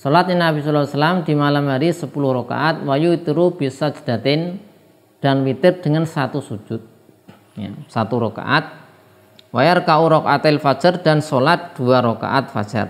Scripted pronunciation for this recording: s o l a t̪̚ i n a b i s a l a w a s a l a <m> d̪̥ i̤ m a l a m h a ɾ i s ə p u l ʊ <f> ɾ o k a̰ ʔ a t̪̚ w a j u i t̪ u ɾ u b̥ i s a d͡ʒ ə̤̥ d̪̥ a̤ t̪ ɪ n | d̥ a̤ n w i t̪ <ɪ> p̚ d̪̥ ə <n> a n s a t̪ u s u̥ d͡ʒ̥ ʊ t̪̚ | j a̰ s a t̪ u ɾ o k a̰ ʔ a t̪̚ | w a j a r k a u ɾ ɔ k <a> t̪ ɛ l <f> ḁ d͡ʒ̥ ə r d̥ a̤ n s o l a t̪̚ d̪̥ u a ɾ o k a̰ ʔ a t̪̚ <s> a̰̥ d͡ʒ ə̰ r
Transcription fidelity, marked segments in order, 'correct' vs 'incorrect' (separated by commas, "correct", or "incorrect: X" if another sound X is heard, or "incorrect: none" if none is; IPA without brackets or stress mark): correct, incorrect: h, correct, incorrect: ŋ, correct, correct, incorrect: f